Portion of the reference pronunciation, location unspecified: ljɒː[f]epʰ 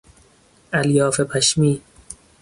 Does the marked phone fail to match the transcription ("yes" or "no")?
no